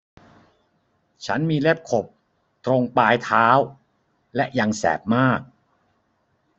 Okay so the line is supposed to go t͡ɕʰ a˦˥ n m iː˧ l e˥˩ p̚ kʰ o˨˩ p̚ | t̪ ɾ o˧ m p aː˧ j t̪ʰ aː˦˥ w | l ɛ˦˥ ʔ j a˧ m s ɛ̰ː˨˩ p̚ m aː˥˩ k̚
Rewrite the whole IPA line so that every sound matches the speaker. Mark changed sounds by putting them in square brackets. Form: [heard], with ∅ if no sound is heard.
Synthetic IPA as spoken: t͡ɕʰ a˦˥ n m iː˧ l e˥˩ p̚ kʰ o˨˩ p̚ | t̪ ɾ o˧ [ŋ] p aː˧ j t̪ʰ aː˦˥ w | l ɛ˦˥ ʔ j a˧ [ŋ] s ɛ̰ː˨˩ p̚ m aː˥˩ k̚